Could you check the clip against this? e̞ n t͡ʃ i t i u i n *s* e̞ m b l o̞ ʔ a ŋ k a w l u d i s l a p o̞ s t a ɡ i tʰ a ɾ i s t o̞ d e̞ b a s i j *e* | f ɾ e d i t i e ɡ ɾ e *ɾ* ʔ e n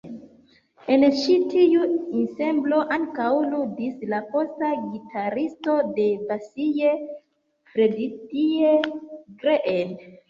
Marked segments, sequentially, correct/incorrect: correct, correct, incorrect

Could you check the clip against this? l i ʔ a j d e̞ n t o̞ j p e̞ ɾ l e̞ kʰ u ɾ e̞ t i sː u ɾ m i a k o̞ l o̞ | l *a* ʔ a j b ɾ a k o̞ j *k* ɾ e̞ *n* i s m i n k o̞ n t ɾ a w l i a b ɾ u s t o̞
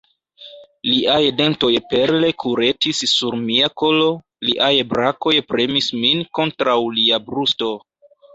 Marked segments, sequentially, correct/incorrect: incorrect, incorrect, incorrect

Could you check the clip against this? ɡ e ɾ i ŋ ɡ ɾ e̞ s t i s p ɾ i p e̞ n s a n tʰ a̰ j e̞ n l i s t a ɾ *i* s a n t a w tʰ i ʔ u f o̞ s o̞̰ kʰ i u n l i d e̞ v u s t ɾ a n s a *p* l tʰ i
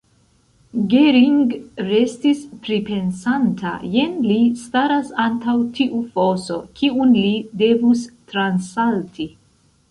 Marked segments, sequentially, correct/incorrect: incorrect, incorrect

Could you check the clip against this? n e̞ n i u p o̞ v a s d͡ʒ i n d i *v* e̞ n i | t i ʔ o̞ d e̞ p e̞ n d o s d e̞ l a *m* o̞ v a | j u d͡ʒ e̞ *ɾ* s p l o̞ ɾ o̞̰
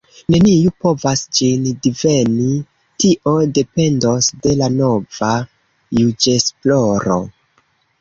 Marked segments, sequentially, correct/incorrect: correct, incorrect, incorrect

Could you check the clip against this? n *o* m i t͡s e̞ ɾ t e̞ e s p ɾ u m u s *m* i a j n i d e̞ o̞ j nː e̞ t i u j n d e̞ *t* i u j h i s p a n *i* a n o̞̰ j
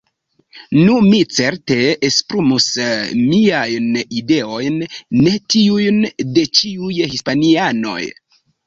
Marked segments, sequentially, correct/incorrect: incorrect, correct, incorrect, correct

